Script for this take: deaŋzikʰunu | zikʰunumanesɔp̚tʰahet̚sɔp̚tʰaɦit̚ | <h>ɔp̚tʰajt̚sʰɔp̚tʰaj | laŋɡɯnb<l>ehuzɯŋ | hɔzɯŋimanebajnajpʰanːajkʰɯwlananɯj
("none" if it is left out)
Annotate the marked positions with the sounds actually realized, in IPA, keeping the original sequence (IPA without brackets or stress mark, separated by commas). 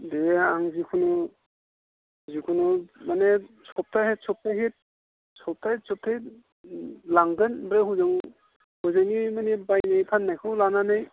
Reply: s, ɾ